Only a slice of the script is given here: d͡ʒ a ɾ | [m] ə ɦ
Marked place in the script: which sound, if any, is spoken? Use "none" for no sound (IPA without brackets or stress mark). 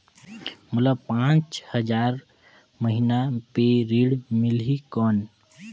m